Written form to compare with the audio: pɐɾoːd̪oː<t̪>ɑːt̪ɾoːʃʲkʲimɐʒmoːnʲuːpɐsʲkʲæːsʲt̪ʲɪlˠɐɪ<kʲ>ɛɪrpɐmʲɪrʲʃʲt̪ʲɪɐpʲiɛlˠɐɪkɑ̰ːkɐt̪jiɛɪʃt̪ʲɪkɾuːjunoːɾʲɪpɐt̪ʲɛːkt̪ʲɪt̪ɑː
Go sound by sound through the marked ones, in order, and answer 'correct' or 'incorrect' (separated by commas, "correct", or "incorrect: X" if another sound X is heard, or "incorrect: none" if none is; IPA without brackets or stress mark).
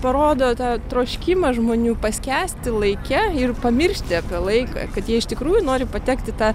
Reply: correct, correct